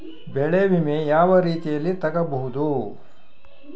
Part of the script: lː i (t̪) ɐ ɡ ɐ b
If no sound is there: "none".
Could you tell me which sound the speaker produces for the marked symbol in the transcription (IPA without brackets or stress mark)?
t̪